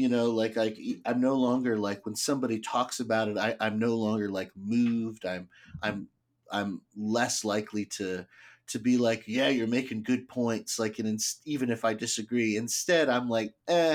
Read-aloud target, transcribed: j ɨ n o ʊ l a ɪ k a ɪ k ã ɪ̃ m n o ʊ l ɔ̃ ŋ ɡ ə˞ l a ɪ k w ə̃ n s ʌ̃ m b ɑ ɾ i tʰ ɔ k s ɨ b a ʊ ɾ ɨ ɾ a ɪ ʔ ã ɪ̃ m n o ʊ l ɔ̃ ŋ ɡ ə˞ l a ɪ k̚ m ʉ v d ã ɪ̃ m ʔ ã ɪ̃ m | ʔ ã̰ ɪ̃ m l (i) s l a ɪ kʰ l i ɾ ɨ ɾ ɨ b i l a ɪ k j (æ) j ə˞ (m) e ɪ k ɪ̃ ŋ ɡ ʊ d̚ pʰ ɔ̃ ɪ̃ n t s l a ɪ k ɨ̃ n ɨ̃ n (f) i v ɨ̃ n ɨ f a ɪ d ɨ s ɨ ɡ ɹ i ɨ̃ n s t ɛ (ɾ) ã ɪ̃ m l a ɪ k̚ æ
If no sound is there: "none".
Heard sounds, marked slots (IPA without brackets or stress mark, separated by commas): ɛ, æ, m, s, ɾ